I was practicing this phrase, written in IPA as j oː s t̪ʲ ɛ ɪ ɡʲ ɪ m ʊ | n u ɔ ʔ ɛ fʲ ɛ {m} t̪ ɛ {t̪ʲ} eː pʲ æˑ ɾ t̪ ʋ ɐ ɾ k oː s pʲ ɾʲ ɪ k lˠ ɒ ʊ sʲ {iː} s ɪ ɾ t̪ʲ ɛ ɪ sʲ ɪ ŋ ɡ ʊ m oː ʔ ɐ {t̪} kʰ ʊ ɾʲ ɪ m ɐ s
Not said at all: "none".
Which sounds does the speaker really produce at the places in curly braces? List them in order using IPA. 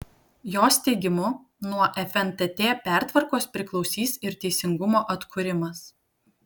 n, t̪ʲ, iː, t̪

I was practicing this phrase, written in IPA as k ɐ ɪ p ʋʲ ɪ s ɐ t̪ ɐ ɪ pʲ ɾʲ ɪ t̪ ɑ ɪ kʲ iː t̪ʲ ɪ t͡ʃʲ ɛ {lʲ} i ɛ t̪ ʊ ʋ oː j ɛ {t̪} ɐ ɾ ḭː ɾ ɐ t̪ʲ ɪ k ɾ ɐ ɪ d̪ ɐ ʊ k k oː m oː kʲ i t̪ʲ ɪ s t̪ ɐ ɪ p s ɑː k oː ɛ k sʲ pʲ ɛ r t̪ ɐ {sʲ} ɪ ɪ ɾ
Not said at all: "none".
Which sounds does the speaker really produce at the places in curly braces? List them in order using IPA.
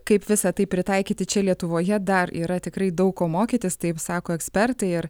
lʲ, d̪, none

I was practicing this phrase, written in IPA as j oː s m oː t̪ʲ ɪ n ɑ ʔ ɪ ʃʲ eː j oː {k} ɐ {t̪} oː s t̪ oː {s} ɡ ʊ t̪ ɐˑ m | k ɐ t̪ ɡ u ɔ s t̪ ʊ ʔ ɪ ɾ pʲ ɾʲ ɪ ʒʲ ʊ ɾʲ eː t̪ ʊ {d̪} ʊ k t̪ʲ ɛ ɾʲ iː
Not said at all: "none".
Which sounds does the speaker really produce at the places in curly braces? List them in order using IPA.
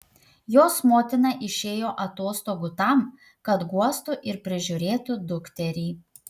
ʔ, t̪, none, d̪

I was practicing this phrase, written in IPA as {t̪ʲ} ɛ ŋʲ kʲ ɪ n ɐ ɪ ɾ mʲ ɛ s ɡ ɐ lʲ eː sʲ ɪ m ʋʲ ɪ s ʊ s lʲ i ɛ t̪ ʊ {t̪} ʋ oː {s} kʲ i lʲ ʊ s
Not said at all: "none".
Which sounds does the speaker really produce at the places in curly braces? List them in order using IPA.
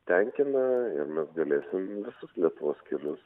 t̪ʲ, none, s

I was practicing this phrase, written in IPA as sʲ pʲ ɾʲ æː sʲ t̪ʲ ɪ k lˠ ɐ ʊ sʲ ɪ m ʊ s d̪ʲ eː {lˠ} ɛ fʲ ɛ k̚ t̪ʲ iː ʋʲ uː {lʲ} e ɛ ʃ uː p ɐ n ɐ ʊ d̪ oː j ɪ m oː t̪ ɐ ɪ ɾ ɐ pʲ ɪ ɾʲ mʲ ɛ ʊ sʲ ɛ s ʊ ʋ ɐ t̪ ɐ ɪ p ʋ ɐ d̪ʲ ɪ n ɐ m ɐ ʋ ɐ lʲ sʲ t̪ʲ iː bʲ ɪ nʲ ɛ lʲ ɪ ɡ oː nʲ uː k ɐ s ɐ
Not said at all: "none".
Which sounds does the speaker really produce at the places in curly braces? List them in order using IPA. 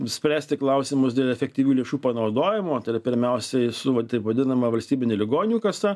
lˠ, lʲ

